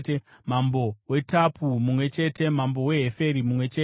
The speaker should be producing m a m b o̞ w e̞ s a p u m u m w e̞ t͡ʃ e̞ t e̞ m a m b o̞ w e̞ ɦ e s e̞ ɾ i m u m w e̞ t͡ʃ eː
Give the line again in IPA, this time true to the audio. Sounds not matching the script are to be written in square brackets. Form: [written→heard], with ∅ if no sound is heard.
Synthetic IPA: m a m b o̞ w e̞ [s→t] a p u m u m w e̞ t͡ʃ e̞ t e̞ m a m b o̞ w e̞ ɦ e [s→f] e̞ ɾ i m u m w e̞ t͡ʃ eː